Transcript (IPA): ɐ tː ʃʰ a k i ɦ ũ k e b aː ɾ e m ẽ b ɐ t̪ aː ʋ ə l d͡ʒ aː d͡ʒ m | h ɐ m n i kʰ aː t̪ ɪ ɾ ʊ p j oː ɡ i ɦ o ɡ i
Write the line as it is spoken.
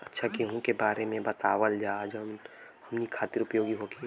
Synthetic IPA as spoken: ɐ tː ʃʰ a k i ɦ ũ k e b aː ɾ e m ẽ b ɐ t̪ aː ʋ ə l d͡ʒ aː d͡ʒ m | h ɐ m n i kʰ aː t̪ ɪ ɾ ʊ p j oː ɡ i ɦ o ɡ i